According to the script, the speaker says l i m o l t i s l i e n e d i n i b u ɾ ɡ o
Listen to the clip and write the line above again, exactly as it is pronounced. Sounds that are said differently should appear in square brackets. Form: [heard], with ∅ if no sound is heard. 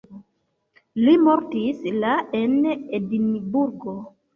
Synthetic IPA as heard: l i m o [ɾ] t i s l [a] e n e d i n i b u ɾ ɡ o